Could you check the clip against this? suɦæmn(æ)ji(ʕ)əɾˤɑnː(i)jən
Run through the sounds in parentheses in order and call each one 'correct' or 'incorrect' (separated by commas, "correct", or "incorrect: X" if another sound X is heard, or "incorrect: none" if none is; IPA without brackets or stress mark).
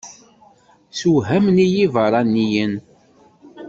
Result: incorrect: i, incorrect: v, correct